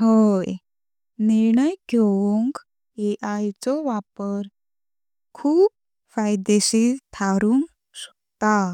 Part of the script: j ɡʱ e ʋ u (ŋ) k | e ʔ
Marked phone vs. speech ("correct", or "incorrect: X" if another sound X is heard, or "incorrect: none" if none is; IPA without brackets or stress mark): correct